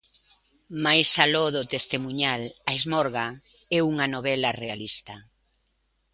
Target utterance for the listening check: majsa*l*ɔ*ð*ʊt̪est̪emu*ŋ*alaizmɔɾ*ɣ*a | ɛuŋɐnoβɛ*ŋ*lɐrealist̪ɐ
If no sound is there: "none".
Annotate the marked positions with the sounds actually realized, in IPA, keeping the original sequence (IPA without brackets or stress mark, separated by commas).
l, ð, ɲ, ɣ, none